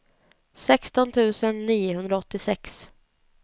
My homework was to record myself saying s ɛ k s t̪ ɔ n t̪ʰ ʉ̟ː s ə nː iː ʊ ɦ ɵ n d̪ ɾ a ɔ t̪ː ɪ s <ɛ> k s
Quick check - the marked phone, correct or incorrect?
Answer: correct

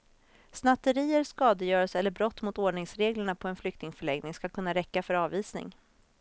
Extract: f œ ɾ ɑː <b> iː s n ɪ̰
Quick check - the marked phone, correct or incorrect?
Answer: incorrect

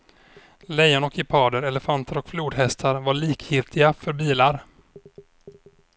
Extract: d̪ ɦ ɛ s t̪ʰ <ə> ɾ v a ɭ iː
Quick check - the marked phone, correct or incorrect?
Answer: incorrect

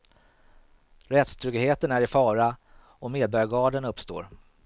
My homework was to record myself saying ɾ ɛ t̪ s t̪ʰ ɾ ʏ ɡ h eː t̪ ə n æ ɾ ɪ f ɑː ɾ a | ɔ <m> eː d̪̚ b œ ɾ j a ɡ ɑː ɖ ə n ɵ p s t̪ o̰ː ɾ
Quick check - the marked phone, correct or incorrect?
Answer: correct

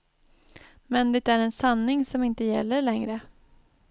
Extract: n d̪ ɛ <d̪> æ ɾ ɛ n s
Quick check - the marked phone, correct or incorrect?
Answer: incorrect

